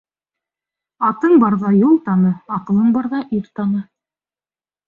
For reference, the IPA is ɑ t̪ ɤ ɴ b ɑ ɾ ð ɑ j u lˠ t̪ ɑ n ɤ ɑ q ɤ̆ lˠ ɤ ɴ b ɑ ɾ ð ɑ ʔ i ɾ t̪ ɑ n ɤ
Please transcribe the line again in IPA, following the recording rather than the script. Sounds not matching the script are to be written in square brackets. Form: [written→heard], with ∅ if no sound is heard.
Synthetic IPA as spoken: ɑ t̪ ɤ ɴ b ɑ ɾ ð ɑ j u lˠ t̪ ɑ n ɤ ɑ q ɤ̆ lˠ ɤ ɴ b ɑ ɾ ð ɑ ʔ i ɾ t̪ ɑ n ɤ